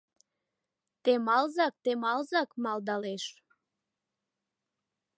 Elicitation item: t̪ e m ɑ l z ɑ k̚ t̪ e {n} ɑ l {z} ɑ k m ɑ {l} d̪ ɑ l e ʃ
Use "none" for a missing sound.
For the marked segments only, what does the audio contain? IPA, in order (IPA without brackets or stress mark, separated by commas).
m, z, l